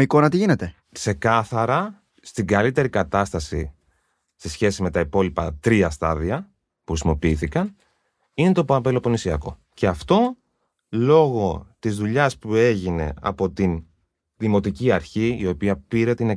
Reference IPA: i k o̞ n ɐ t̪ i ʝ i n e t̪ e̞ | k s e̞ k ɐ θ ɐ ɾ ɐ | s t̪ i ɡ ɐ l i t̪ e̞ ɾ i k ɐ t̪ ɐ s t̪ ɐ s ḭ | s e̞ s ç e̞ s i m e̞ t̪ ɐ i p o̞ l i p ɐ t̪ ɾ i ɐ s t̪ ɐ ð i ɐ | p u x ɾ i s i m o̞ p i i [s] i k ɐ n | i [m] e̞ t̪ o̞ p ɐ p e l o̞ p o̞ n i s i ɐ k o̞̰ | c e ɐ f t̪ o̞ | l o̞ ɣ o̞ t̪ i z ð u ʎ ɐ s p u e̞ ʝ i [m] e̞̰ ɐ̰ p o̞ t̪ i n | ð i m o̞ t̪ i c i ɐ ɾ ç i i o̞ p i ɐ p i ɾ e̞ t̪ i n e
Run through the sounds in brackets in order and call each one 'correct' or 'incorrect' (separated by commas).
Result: incorrect, incorrect, incorrect